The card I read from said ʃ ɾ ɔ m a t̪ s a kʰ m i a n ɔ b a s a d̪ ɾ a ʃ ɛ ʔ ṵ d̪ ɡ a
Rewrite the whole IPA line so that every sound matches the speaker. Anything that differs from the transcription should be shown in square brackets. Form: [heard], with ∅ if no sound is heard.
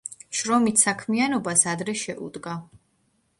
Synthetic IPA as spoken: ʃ ɾ ɔ m [i] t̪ s a kʰ m i a n ɔ b a s a d̪ ɾ [ɛ] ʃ ɛ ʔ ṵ d̪ ɡ a

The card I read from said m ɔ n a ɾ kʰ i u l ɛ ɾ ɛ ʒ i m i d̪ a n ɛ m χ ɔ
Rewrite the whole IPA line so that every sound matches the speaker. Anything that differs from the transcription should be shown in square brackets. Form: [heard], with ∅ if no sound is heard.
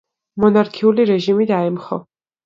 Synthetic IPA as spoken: m ɔ n a ɾ kʰ i u l [i] ɾ ɛ ʒ i m i d̪ a [∅] ɛ m χ ɔ

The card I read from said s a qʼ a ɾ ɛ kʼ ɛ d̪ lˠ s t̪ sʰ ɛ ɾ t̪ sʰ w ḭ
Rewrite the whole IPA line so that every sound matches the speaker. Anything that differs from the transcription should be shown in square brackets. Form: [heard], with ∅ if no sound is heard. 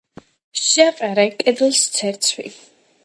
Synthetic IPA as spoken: [ʃ] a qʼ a ɾ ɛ kʼ ɛ d̪ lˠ s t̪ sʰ ɛ ɾ t̪ sʰ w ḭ

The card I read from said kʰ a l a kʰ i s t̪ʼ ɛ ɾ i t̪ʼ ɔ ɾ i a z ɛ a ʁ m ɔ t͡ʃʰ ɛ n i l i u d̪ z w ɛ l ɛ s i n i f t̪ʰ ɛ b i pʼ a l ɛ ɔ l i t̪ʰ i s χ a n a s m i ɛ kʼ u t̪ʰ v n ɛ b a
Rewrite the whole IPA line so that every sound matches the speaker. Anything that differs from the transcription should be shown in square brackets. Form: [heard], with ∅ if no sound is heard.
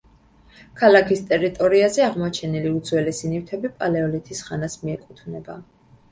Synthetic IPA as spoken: kʰ a l a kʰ i s t̪ʼ ɛ ɾ i t̪ʼ ɔ ɾ i a z ɛ a ʁ m ɔ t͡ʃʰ ɛ n i l i u d̪ z w ɛ l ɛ s i n i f t̪ʰ ɛ b i pʼ a l ɛ ɔ l i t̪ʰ i s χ a n a s m i ɛ kʼ u t̪ʰ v n ɛ b a

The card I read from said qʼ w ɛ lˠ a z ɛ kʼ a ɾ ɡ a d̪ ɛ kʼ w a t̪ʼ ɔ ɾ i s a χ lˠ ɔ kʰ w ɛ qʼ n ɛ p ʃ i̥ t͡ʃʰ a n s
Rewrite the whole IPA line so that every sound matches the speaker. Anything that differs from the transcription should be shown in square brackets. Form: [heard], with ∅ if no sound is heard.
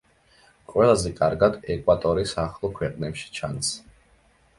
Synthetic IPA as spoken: qʼ w ɛ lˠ a z ɛ kʼ a ɾ ɡ a d̪ ɛ kʼ w a t̪ʼ ɔ ɾ i s a χ lˠ ɔ kʰ w ɛ qʼ n ɛ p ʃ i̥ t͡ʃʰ a n s

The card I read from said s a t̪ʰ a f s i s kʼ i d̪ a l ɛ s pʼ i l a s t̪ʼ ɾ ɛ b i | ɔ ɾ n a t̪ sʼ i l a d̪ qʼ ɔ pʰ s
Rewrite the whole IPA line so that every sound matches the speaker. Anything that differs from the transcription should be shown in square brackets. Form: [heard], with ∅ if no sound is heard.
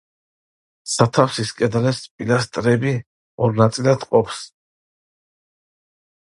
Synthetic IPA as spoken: s a t̪ʰ a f s i s kʼ [ɛ] d̪ a l ɛ s pʼ i l a s t̪ʼ ɾ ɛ b i | ɔ ɾ n a t̪ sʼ i l a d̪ qʼ ɔ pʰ s

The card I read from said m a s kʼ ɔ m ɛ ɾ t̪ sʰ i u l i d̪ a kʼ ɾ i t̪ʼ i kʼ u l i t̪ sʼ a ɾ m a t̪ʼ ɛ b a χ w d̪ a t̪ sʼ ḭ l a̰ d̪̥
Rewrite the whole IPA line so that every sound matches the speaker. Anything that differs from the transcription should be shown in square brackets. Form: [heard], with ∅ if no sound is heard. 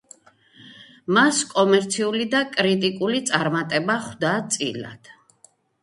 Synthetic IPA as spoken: m a s kʼ ɔ m ɛ ɾ t̪ sʰ i u l i d̪ a kʼ ɾ i t̪ʼ i kʼ u l i t̪ sʼ a ɾ m a t̪ʼ ɛ b a χ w d̪ a t̪ sʼ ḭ l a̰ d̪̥

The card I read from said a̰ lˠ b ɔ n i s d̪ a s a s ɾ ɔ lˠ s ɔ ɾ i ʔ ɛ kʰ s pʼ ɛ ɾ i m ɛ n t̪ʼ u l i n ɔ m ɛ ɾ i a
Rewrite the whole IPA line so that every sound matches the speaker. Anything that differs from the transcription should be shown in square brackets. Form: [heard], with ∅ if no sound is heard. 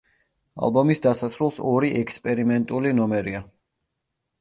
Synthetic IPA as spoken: a̰ lˠ b ɔ [m] i s d̪ a s a s ɾ [u] lˠ s ɔ ɾ i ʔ ɛ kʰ s pʼ ɛ ɾ i m ɛ n t̪ʼ u l i n ɔ m ɛ ɾ i a

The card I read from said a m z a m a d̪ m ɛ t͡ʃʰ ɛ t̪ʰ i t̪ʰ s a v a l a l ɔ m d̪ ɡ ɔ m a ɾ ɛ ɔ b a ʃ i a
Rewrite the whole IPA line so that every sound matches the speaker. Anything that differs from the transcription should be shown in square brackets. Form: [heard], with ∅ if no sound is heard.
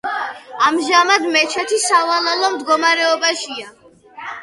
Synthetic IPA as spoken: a m [ʒ] a m a d̪ m ɛ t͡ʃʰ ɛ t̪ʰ i [∅] s a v a l a l ɔ m d̪ ɡ ɔ m a ɾ ɛ ɔ b a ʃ i a

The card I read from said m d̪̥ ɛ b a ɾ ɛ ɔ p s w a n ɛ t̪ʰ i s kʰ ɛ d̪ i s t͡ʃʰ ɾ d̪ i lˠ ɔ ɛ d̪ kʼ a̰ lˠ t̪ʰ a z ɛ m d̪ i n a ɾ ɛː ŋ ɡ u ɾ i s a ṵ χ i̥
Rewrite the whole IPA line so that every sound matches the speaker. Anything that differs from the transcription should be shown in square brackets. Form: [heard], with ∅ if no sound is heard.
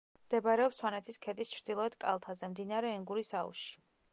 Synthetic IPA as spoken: m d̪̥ ɛ b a ɾ ɛ ɔ p s w a n ɛ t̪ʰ i s kʰ ɛ d̪ i s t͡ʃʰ ɾ d̪ i lˠ ɔ ɛ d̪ kʼ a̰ lˠ t̪ʰ a z ɛ m d̪ i n a ɾ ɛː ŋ ɡ u ɾ i s a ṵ [ʃ] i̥

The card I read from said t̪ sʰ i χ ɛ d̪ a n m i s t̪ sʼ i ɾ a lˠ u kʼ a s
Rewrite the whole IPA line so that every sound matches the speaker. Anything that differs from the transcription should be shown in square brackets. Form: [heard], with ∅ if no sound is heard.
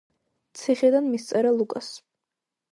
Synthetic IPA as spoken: t̪ sʰ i χ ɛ d̪ a n m i s t̪ sʼ [ɛ] ɾ a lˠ u kʼ a s

